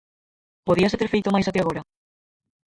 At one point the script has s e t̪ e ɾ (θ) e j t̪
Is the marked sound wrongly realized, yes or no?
yes